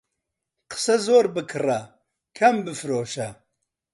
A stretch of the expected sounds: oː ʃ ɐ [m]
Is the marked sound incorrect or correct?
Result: incorrect